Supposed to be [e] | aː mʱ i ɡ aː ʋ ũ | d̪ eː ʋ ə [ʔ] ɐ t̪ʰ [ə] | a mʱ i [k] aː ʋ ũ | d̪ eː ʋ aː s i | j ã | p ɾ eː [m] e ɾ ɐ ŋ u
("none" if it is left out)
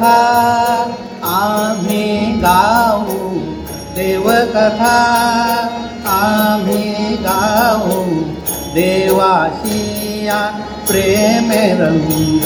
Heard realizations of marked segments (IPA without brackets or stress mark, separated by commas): a, k, a, ɡ, m